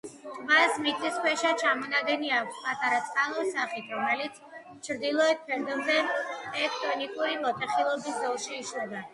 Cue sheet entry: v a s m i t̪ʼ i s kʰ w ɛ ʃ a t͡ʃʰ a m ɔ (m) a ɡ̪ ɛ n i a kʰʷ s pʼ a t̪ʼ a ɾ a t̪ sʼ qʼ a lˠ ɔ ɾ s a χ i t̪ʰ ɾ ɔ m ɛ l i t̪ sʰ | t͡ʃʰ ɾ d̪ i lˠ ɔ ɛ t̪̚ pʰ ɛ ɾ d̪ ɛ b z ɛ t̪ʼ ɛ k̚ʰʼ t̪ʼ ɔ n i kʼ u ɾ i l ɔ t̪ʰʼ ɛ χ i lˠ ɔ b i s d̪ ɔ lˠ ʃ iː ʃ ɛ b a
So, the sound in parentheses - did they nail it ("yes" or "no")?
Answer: no